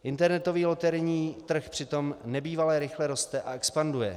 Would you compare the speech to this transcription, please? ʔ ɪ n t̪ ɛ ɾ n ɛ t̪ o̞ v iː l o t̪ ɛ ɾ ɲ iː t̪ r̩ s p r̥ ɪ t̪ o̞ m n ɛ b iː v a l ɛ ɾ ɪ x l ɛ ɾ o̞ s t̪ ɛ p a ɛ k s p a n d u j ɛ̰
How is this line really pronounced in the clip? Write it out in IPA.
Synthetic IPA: ʔ ɪ n t̪ ɛ ɾ n ɛ t̪ o̞ v iː l o t̪ ɛ ɾ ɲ iː t̪ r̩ x p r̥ ɪ t̪ o̞ m n ɛ b iː v a l ɛ ɾ ɪ x l ɛ ɾ o̞ s t̪ ɛ ʔ a ɛ k s p a n d u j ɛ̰